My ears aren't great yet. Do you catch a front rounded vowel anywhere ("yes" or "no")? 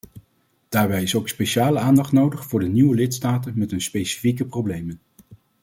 no